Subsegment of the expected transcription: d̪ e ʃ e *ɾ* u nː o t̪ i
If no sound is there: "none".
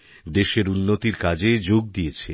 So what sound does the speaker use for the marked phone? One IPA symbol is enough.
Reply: ɾ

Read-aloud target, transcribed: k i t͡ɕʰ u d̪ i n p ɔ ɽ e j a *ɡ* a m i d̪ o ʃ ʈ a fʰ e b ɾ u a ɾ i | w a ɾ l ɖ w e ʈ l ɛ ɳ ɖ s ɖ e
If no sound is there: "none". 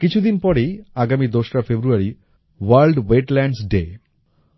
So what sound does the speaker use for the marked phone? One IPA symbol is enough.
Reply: ɡ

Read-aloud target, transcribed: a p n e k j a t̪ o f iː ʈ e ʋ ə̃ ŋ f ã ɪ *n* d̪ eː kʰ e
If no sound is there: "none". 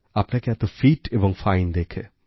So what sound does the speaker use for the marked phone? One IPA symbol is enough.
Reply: n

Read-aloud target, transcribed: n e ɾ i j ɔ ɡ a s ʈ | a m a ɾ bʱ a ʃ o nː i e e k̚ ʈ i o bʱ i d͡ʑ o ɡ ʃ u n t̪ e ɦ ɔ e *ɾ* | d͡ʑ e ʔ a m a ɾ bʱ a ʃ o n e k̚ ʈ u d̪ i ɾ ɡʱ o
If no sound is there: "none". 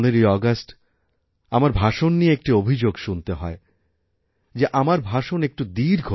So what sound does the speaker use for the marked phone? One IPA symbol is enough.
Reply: none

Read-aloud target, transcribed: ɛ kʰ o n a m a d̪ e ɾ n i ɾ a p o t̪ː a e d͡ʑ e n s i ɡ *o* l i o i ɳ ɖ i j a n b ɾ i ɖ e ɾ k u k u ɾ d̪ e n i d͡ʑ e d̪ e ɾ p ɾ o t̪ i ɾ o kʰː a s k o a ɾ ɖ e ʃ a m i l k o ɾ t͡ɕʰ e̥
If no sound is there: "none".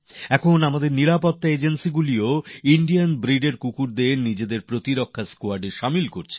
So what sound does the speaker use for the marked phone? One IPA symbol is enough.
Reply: u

